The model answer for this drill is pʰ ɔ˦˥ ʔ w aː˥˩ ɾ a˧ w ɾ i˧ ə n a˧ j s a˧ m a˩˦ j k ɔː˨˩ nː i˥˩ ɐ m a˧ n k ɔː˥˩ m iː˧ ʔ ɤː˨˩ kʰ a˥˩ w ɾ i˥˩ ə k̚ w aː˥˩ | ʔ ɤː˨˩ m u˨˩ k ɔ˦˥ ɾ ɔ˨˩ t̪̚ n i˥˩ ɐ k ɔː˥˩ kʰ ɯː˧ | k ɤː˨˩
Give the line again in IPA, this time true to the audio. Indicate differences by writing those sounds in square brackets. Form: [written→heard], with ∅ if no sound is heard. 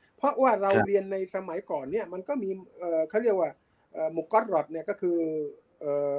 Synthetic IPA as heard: pʰ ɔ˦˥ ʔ w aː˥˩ ɾ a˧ w ɾ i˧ ə [n→nː] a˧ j s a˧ m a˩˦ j k ɔː˨˩ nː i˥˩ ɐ m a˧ n k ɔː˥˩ m iː˧ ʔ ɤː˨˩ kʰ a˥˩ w ɾ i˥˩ ə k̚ w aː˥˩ | ʔ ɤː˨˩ m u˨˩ k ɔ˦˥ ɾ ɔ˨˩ t̪̚ n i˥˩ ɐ k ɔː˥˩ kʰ ɯː˧ | [k→ʔ] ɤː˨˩